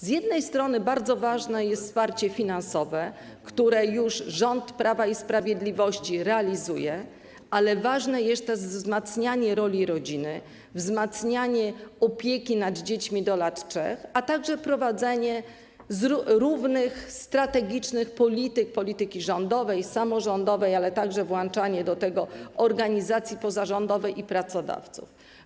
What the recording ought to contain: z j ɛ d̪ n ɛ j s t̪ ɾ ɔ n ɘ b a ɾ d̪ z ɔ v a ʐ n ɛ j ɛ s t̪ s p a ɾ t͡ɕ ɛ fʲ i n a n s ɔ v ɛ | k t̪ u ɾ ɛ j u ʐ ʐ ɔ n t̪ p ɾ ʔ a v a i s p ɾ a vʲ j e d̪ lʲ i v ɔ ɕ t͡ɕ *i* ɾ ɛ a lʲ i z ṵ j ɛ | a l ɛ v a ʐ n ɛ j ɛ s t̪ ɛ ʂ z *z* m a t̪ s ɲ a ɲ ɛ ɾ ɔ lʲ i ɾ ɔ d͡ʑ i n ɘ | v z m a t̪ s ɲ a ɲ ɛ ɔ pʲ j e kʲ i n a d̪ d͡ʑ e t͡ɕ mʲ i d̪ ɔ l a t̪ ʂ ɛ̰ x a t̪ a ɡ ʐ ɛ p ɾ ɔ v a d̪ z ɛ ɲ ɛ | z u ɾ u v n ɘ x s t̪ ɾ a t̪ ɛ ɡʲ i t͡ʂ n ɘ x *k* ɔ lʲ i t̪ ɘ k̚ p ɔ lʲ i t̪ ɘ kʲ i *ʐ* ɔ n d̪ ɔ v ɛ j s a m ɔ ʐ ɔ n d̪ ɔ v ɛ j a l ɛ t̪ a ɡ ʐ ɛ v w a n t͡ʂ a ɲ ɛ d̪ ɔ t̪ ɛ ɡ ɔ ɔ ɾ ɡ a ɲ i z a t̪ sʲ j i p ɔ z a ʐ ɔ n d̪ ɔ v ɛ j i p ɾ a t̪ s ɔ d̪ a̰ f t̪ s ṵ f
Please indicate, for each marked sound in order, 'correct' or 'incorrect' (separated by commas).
correct, correct, incorrect, correct